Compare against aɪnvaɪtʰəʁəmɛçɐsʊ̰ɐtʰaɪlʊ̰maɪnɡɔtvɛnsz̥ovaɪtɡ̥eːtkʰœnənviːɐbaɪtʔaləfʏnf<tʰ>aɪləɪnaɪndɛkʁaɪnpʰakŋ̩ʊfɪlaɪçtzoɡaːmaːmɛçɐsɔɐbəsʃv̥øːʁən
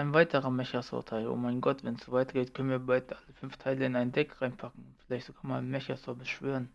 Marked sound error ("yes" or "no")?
no